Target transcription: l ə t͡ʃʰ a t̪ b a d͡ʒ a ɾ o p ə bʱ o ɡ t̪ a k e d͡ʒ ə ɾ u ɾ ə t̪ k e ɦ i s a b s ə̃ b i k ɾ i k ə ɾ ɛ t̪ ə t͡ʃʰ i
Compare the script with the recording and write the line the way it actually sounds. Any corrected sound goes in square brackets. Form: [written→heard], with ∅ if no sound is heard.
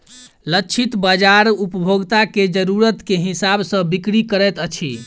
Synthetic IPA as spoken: l ə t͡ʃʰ [a→i] t̪ b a d͡ʒ a ɾ [o→u] p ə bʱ o ɡ t̪ a k e d͡ʒ ə ɾ u ɾ ə t̪ k e ɦ i s a b s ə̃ b i k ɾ i k ə ɾ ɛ t̪ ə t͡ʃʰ i